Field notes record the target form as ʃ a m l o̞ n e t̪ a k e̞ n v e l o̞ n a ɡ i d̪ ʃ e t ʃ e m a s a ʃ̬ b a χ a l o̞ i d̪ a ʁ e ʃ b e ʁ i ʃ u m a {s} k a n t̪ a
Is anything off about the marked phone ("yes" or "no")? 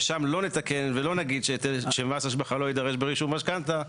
yes